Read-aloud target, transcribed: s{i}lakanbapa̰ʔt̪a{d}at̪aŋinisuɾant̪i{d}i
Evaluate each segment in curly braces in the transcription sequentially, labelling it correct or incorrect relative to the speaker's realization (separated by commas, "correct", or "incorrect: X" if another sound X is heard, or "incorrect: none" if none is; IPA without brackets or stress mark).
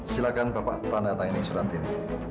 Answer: correct, incorrect: n, incorrect: n